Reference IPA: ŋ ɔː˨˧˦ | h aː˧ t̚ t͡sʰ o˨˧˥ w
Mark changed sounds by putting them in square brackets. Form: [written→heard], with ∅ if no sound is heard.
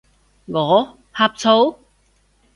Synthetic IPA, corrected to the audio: ŋ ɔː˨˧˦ | h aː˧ [t̚→p̚] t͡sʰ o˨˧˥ w